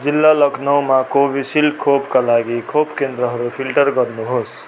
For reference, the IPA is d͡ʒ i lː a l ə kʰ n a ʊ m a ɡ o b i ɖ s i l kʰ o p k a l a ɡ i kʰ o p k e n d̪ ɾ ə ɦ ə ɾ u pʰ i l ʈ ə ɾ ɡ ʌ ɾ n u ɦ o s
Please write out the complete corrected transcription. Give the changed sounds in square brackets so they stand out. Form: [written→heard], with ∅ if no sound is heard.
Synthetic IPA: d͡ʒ i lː a l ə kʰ n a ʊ m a [ɡ→k] o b i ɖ s i l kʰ o p k a l a ɡ i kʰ o p k e n d̪ ɾ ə ɦ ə ɾ u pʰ i l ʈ ə ɾ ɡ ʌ ɾ n u ɦ o s